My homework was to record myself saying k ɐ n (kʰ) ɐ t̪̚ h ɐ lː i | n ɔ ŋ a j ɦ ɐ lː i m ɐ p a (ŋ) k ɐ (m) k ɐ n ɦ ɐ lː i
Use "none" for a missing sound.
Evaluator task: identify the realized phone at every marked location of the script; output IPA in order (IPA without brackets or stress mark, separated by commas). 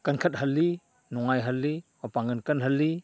kʰ, ŋ, n